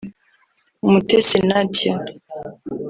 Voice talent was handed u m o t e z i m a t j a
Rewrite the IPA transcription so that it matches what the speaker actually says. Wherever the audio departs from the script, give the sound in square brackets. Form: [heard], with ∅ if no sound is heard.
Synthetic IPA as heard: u m [u] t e [s] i [n] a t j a